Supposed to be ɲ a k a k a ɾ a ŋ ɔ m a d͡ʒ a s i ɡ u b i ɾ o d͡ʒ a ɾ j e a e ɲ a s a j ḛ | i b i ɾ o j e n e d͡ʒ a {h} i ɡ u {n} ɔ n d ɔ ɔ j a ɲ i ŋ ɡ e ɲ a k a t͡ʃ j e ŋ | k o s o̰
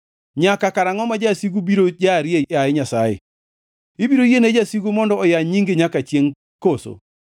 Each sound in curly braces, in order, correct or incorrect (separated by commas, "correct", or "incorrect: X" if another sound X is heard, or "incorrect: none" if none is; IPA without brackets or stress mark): incorrect: s, incorrect: m